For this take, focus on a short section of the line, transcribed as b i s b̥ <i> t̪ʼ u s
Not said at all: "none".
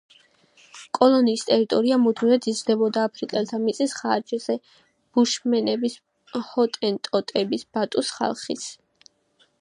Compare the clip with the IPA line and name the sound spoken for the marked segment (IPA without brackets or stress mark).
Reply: a